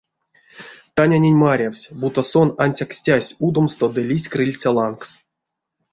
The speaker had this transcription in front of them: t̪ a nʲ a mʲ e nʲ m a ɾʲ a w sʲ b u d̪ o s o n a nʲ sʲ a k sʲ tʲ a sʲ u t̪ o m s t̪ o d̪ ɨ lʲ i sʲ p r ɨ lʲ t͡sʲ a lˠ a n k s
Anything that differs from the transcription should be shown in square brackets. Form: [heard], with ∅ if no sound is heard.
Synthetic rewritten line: t̪ a nʲ a [nʲ] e nʲ m a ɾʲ a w sʲ b u [t̪] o s o n a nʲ sʲ a k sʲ tʲ a sʲ u [d̪] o m s t̪ o d̪ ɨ lʲ i sʲ [k] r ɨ lʲ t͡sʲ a lˠ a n k s